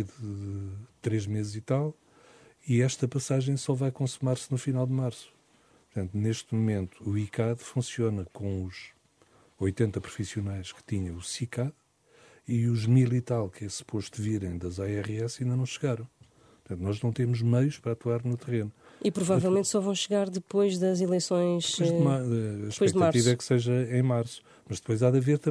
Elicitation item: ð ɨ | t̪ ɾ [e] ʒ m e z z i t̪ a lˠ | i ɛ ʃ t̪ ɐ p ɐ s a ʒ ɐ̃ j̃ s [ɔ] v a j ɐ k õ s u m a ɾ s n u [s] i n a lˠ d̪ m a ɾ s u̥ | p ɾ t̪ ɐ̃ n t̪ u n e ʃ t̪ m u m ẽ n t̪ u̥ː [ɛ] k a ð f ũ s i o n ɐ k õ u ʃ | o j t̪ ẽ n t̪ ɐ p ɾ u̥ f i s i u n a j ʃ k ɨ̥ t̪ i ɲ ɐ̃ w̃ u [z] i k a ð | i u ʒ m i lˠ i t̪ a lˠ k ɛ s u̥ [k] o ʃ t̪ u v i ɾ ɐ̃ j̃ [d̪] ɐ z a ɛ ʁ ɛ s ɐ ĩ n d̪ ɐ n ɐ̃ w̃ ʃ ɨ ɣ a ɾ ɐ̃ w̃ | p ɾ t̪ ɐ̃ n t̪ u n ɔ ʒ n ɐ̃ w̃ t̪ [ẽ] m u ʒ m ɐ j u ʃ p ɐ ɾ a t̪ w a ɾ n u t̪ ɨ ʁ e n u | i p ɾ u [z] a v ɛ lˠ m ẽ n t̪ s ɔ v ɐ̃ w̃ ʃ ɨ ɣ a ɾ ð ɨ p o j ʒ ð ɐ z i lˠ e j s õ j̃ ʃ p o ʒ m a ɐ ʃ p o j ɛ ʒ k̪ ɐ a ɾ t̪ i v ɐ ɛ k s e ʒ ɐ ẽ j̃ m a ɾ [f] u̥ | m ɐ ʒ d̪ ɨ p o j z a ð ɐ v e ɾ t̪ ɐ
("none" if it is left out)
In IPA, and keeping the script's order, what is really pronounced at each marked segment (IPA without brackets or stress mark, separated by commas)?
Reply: e, ɔ, f, i, s, p, d̪, e, v, s